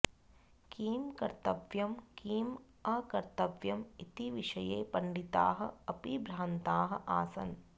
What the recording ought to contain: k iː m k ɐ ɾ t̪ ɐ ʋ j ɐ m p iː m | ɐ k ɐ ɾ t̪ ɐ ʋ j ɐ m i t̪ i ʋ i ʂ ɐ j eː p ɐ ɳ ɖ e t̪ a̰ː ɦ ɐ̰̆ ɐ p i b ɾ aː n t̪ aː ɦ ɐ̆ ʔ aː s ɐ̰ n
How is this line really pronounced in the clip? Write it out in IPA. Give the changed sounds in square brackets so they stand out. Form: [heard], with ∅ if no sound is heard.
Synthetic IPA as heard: k iː m k ɐ ɾ t̪ ɐ ʋ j ɐ m [k] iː m | ɐ k ɐ ɾ t̪ ɐ ʋ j ɐ m i t̪ i ʋ i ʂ ɐ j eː p ɐ ɳ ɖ [i] t̪ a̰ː ɦ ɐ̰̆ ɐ p i b ɾ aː n t̪ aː ɦ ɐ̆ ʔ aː s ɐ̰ n